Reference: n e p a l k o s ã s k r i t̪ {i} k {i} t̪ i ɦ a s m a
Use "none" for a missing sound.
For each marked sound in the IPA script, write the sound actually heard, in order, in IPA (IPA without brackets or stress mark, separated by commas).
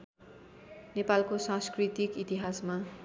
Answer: i, i